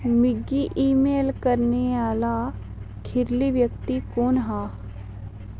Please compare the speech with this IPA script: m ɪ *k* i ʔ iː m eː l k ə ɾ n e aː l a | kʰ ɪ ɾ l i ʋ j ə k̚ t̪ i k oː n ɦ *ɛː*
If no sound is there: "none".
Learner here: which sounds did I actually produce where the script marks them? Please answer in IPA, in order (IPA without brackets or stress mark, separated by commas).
ɡ, aː